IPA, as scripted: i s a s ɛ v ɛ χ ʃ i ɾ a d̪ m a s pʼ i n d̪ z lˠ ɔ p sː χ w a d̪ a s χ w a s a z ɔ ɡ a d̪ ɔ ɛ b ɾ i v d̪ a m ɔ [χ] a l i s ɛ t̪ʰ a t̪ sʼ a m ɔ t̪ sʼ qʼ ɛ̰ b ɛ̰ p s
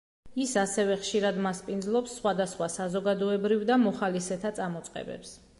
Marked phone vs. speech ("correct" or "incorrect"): correct